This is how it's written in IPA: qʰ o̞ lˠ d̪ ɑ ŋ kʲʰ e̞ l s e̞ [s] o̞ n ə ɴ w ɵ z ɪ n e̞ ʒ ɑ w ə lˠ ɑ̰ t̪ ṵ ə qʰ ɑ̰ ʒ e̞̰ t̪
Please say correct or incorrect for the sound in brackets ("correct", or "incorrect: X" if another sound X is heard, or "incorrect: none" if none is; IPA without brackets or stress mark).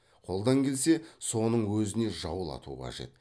correct